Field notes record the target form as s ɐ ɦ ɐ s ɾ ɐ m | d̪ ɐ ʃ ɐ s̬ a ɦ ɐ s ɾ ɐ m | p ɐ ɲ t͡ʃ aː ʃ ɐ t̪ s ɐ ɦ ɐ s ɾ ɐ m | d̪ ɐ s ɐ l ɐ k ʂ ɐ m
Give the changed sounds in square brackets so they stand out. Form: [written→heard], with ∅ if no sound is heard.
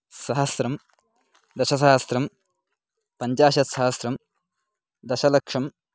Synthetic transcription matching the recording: s ɐ ɦ ɐ s ɾ ɐ m | d̪ ɐ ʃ ɐ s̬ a ɦ ɐ s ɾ ɐ m | p ɐ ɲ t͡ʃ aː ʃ ɐ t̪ s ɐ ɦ ɐ s ɾ ɐ m | d̪ ɐ [s→ʃ] ɐ l ɐ k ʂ ɐ m